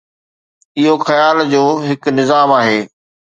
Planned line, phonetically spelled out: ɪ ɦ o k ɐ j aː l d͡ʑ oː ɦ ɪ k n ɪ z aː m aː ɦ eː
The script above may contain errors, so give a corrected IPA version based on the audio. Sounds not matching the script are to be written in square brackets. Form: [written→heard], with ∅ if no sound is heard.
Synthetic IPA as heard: ɪ ɦ o [k→x] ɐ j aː l d͡ʑ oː ɦ ɪ k n ɪ z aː m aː ɦ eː